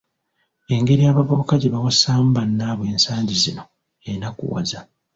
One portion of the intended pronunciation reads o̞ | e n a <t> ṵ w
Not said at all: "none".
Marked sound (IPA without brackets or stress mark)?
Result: k